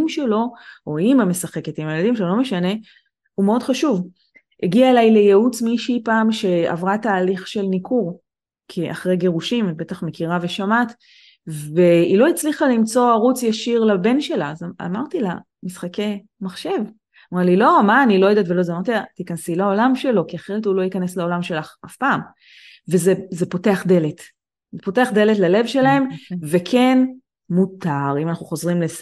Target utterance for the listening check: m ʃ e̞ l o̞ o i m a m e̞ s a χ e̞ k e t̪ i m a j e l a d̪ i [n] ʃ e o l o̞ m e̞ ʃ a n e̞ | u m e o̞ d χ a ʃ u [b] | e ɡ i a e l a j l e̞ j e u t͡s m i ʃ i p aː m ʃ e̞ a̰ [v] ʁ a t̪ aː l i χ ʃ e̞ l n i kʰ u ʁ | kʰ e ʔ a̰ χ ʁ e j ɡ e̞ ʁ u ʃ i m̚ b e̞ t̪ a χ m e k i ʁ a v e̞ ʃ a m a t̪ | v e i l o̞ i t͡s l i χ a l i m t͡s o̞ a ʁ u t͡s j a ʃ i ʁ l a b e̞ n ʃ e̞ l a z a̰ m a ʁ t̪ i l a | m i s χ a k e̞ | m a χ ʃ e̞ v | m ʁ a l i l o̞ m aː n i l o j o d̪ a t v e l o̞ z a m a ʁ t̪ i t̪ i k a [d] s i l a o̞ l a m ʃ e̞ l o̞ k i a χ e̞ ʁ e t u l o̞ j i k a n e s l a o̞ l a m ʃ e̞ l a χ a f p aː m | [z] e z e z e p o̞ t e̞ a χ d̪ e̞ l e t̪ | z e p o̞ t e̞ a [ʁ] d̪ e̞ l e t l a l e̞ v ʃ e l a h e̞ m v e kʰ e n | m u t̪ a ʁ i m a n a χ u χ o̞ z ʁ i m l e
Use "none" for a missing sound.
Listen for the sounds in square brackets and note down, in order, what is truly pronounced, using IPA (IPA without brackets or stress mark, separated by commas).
m, v, v, n, v, χ